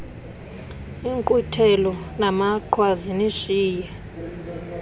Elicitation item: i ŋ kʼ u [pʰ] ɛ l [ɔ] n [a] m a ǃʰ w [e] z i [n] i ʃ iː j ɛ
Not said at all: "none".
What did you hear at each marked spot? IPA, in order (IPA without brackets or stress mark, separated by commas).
tʰ, ɔ, a, a, n